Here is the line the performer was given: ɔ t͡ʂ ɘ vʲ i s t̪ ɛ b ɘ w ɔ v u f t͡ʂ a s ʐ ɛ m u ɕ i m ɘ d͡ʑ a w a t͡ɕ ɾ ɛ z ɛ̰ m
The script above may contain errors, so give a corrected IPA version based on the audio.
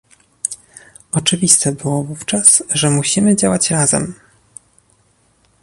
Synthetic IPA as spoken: ɔ t͡ʂ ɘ vʲ i s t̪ ɛ b ɘ w ɔ v u f t͡ʂ a s ʐ ɛ m u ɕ i m ɘ d͡ʑ a w a t͡ɕ ɾ a z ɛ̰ m